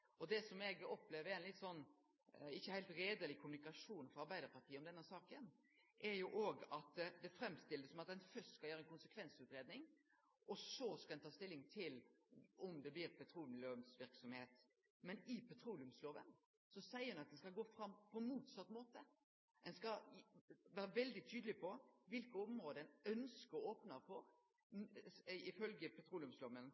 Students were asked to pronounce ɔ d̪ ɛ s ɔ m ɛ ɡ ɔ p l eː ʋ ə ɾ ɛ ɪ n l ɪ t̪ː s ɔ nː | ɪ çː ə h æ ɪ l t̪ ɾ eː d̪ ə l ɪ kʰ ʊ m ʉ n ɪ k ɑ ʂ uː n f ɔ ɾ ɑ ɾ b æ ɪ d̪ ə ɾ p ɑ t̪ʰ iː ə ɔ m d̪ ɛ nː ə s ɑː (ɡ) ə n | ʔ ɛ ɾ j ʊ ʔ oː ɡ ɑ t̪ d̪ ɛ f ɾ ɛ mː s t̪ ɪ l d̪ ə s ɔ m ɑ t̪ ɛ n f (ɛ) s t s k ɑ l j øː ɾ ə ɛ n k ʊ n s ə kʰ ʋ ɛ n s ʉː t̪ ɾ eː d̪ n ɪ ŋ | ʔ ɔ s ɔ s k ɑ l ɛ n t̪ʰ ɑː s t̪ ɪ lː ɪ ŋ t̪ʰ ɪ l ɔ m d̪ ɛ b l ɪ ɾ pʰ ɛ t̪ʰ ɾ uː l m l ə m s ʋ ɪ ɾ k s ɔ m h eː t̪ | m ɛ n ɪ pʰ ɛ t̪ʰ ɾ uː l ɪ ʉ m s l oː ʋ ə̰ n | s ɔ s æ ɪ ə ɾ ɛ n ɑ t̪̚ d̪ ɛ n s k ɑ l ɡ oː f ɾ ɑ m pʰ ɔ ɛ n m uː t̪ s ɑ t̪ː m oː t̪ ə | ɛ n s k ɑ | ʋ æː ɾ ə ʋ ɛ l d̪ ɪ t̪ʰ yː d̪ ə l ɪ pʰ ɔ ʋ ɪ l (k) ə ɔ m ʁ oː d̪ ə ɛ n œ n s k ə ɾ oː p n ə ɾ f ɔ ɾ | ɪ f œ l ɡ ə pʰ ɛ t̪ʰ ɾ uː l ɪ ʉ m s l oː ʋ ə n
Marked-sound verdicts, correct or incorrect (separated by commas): incorrect, incorrect, correct